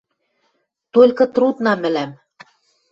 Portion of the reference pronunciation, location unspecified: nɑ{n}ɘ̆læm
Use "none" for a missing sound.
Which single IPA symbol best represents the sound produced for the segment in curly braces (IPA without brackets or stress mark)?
m